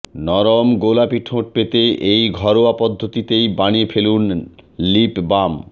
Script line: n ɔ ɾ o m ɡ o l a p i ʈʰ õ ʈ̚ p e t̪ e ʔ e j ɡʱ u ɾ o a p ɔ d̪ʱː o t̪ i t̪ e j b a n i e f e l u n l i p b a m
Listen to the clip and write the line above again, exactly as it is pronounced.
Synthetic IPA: n ɔ ɾ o m ɡ o l a p i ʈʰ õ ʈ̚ p e t̪ e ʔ e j ɡʱ ɔ ɾ o a p ɔ d̪ʱː o t̪ i t̪ e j b a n i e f e l u n l i p b a m